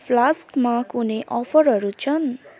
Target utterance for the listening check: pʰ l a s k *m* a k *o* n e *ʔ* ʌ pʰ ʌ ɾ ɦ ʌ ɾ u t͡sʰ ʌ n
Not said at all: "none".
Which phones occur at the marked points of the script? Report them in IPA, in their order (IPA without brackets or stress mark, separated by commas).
m, u, ʔ